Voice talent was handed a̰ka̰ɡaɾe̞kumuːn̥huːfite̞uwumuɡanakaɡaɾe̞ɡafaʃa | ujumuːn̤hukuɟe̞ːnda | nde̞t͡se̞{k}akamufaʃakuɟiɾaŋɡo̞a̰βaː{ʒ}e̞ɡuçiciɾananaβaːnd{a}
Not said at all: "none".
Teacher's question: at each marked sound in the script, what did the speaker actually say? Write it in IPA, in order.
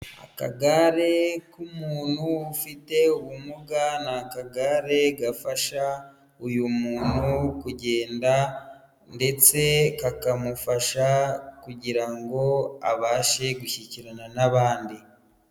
k, ʃ, i

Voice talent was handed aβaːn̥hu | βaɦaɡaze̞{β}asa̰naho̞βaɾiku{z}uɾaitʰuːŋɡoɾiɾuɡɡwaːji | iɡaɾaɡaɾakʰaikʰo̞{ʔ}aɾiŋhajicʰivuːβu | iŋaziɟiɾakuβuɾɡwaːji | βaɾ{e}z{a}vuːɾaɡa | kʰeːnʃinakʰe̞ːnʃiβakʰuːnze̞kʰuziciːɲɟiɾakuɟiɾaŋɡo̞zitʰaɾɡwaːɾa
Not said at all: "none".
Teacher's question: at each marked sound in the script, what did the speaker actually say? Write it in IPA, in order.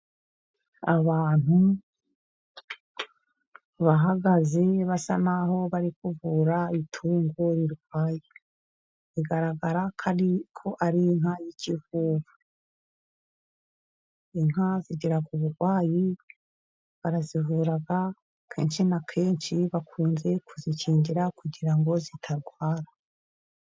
β, v, ʔ, a, i

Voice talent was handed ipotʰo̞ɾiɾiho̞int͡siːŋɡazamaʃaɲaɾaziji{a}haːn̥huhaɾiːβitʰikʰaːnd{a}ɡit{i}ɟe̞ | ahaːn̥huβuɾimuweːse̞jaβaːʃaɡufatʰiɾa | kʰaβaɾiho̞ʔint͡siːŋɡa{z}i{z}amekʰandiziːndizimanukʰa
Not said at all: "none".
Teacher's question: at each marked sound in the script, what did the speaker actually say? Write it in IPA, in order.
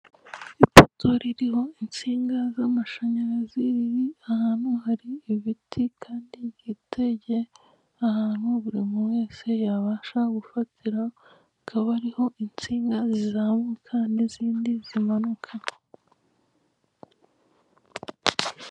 a, i, e, z, z

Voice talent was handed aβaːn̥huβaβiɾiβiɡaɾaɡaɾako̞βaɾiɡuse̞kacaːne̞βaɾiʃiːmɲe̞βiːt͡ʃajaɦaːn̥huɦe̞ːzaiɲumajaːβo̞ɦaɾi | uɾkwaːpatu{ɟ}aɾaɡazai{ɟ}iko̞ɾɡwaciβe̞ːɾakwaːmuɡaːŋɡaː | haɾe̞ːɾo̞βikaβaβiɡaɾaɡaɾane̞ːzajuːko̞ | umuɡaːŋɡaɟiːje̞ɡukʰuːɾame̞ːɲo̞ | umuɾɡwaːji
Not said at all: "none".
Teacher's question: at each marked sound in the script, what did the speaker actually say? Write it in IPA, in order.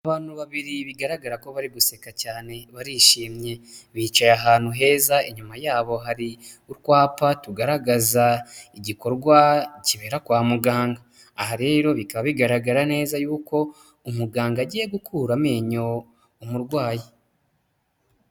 ɡ, ɟ

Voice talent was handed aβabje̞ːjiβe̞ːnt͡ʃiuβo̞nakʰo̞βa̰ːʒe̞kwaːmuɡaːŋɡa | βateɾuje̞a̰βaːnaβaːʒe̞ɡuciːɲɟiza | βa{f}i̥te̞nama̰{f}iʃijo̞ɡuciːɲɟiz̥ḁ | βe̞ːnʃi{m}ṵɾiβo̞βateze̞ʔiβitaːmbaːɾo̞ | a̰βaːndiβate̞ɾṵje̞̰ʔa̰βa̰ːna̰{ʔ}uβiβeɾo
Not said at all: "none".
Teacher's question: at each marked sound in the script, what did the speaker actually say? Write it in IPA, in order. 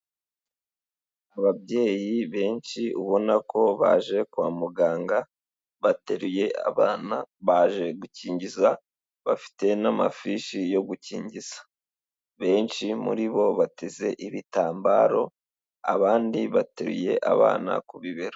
f, f, m, k

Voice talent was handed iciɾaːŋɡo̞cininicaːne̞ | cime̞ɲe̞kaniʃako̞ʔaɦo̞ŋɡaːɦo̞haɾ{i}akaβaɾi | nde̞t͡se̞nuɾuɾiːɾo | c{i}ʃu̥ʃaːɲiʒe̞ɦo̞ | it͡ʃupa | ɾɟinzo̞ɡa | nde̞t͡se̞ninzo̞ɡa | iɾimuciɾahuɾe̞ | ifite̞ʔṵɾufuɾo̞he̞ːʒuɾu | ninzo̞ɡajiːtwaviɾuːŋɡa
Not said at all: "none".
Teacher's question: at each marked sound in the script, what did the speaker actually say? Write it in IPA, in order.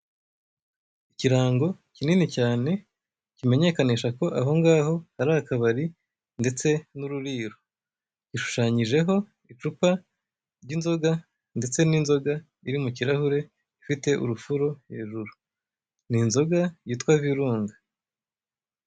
a, i

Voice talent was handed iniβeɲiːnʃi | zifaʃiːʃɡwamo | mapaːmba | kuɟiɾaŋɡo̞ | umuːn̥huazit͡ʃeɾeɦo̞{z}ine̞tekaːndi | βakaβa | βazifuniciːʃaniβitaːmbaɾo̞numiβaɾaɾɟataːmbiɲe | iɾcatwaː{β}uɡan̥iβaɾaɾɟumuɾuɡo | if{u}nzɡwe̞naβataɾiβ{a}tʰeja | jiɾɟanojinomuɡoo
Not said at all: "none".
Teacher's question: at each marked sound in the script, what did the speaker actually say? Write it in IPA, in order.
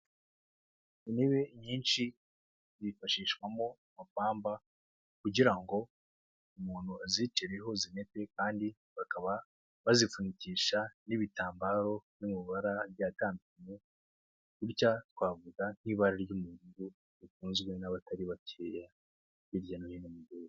z, v, uː, a

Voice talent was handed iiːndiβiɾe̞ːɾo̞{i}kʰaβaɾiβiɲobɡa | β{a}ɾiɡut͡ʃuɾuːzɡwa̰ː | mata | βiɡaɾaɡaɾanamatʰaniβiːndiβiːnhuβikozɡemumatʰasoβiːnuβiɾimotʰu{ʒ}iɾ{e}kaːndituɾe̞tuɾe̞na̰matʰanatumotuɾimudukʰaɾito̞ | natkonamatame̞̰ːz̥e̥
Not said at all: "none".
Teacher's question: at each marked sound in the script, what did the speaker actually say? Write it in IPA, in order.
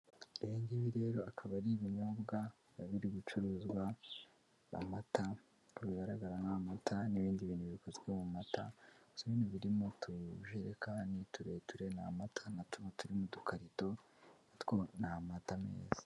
a, i, ʒ, e

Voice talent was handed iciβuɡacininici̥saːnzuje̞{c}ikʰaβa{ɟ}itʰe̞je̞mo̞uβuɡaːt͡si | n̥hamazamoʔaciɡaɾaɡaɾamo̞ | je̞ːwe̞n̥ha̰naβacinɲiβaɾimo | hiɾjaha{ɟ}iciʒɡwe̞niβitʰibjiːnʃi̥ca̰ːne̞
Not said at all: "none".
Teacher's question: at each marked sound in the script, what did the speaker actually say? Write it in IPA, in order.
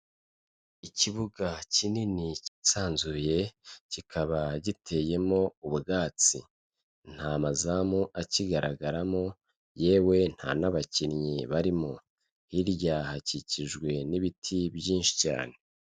c, ɟ, c

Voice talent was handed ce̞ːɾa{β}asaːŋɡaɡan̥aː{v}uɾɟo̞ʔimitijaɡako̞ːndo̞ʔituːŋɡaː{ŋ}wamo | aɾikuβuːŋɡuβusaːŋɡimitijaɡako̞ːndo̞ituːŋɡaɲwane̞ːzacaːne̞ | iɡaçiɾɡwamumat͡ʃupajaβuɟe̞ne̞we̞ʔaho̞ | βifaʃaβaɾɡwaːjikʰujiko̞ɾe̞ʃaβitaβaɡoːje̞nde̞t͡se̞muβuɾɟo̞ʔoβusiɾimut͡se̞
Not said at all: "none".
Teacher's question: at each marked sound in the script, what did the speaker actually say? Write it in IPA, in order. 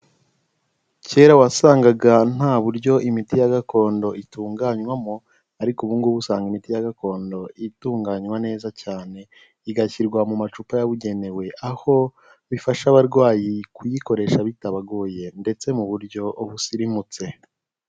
w, β, ɲ

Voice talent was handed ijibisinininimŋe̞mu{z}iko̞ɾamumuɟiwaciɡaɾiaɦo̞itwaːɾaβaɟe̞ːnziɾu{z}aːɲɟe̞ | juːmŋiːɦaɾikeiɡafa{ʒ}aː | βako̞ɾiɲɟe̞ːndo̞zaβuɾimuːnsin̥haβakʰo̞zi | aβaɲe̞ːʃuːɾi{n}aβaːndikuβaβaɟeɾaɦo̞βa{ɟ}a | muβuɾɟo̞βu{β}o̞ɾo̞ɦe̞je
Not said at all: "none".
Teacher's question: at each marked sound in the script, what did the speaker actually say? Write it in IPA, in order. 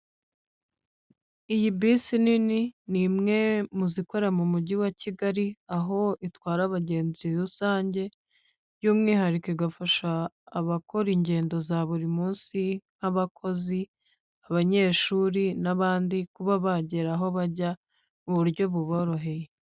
z, s, ʃ, n, ɟ, β

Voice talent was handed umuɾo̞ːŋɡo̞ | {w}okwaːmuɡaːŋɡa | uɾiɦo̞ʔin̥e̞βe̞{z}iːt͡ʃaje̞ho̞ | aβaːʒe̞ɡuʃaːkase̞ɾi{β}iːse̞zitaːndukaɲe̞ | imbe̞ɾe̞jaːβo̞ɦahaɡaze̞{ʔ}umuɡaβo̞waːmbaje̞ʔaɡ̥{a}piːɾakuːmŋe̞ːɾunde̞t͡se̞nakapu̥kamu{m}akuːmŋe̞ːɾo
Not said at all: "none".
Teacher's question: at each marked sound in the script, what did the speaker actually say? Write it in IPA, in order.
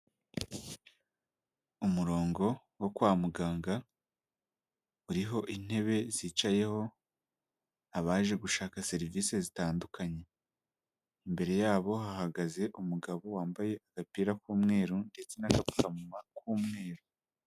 w, z, v, ʔ, a, m

